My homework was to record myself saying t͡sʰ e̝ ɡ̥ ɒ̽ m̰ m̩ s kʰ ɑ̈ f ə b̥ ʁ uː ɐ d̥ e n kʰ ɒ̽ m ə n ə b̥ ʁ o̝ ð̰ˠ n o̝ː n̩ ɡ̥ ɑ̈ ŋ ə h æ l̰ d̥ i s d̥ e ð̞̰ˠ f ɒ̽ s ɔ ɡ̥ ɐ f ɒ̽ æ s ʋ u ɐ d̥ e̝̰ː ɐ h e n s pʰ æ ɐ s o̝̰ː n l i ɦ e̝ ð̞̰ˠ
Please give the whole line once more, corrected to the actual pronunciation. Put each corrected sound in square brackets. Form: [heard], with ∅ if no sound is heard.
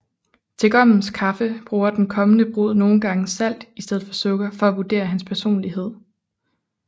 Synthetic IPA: t͡sʰ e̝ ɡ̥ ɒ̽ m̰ [n̩] s kʰ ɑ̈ f ə b̥ ʁ uː ɐ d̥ e n kʰ ɒ̽ m ə n ə b̥ ʁ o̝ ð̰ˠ n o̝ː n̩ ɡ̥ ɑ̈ ŋ ə [s] æ l̰ d̥ i s d̥ e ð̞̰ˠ f ɒ̽ s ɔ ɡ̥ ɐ f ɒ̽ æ [∅] ʋ u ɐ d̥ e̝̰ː ɐ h [æ] n s pʰ æ ɐ s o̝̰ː n l i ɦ e̝ ð̞̰ˠ